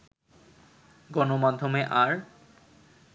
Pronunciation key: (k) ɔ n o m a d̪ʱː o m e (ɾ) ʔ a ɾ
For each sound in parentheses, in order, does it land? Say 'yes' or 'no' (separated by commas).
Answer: no, no